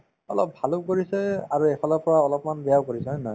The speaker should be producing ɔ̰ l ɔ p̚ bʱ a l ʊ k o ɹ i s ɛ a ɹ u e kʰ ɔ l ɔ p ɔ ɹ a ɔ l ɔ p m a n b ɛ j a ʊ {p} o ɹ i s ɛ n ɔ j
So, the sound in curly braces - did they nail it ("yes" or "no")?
no